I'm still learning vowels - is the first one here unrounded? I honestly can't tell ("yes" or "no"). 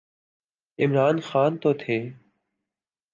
yes